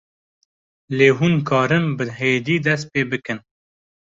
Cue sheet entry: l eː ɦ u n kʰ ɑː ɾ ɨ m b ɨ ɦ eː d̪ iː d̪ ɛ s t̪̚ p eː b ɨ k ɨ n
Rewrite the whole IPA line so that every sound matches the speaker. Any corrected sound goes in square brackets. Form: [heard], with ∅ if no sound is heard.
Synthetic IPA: l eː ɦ u n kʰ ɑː ɾ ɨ m b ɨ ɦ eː d̪ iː d̪ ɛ s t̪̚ p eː b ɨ k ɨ n

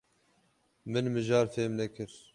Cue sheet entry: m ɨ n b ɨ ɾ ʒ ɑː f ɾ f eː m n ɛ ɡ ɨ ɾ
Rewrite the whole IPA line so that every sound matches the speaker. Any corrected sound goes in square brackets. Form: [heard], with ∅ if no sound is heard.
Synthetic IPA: m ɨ n [m] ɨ [∅] ʒ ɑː [∅] ɾ f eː m n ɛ [k] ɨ ɾ

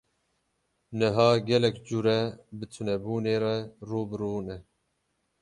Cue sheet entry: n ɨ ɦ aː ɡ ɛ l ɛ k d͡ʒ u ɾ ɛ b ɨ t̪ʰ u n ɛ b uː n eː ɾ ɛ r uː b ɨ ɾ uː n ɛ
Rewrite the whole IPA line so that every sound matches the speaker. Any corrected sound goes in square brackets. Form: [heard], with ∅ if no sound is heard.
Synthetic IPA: n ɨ ɦ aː ɡ ɛ l ɛ k d͡ʒ u ɾ ɛ b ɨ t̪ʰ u n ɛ b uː n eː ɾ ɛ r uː b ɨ ɾ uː n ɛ

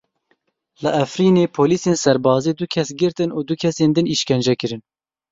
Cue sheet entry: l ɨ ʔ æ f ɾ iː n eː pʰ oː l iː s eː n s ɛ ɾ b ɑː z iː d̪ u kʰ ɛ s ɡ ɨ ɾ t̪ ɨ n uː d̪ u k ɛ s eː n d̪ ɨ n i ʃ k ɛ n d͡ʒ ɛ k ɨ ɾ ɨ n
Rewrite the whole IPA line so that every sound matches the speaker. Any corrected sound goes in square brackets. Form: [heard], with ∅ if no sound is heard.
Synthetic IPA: l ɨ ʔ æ f ɾ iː n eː pʰ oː l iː s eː n s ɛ ɾ b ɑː z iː d̪ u kʰ ɛ s ɡ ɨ ɾ t̪ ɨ n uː d̪ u [kʰ] ɛ s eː n d̪ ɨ n i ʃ k ɛ n d͡ʒ ɛ k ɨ ɾ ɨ n

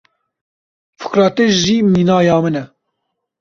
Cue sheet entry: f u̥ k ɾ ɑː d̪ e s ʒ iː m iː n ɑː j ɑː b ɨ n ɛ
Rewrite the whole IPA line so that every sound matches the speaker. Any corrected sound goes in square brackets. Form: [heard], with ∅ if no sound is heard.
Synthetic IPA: f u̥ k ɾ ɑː [t̪] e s ʒ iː m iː n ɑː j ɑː [m] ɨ n ɛ

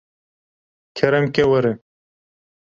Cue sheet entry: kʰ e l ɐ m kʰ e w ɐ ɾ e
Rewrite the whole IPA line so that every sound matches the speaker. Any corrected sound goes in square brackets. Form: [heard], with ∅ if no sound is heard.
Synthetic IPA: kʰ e [ɾ] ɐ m [k] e w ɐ ɾ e

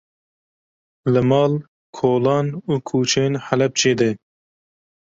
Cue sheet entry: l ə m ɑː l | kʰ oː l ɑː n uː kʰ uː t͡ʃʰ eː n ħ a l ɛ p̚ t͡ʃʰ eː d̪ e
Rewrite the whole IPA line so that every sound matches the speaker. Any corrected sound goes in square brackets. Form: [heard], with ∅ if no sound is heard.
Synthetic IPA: l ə m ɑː l | kʰ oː l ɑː n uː kʰ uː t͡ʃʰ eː n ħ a l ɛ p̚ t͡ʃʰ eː d̪ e

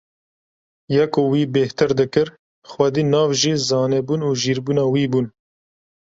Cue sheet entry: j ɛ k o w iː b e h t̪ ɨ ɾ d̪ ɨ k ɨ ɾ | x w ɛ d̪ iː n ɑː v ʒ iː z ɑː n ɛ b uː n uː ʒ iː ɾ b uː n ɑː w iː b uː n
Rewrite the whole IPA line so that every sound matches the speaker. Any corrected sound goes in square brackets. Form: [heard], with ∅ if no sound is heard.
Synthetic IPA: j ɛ k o w iː b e h t̪ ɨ ɾ d̪ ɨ k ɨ ɾ | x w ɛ d̪ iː n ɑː v ʒ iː z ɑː n ɛ b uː n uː ʒ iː ɾ b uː n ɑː w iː b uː n

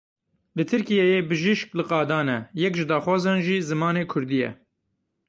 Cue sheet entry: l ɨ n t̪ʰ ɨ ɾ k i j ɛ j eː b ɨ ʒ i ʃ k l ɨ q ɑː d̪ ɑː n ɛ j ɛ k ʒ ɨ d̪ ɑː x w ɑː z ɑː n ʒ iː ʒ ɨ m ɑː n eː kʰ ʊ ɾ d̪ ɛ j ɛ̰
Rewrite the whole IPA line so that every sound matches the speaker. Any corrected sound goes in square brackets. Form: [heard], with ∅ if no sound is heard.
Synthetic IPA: l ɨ [∅] t̪ʰ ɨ ɾ k i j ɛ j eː b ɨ ʒ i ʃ k l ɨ q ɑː d̪ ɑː n ɛ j ɛ k ʒ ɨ d̪ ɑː x w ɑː z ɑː n ʒ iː [z] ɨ m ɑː n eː kʰ ʊ ɾ d̪ [i] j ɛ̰

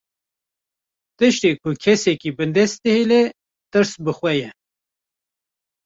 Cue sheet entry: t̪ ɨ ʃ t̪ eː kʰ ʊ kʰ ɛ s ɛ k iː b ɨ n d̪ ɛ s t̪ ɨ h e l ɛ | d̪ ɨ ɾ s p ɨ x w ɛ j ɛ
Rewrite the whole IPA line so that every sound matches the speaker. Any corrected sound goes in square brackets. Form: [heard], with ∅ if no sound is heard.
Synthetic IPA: t̪ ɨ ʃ t̪ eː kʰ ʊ kʰ ɛ s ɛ k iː b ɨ n d̪ ɛ s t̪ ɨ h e l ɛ | [t̪] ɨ ɾ s [b] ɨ x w ɛ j ɛ

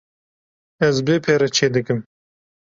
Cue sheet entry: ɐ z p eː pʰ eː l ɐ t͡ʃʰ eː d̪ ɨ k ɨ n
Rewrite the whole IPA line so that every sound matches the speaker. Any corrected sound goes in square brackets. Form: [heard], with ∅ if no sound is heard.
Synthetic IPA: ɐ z [b] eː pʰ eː [ɾ] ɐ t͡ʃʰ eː d̪ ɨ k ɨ [m]

